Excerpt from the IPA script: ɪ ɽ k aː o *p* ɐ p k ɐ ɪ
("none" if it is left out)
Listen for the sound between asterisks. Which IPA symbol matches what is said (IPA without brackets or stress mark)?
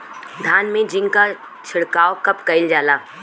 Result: k